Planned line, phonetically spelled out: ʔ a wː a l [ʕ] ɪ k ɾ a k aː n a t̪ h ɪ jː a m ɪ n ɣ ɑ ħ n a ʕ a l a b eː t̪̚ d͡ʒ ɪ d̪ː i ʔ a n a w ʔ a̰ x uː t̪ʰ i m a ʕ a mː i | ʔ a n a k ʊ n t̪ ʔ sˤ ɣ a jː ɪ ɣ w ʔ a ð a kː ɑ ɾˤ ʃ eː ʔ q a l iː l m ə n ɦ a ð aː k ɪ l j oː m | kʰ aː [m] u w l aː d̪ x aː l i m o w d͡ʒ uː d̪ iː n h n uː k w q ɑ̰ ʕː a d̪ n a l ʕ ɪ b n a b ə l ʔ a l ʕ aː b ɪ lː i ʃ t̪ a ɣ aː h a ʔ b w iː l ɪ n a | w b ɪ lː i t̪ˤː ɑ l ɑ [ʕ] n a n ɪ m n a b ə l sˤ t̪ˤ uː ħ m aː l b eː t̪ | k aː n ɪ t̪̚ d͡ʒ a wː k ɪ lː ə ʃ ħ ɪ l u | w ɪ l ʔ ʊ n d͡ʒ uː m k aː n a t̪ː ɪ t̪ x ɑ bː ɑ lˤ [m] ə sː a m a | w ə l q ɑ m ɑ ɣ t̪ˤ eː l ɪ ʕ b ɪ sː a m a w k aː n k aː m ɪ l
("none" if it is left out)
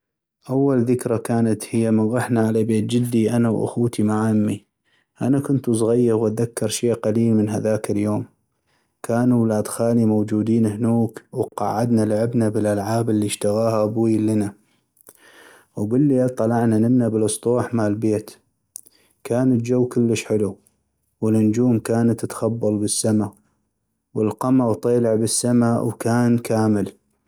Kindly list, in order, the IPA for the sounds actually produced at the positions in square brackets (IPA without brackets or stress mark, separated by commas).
ð, n, ʕ, b